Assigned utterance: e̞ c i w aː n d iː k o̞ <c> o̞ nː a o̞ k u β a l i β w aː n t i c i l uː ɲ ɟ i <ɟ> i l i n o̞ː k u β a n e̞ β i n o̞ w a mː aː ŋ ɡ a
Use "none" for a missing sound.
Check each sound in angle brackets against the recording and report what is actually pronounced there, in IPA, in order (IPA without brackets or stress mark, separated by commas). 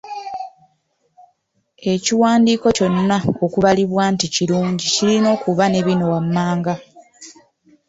c, c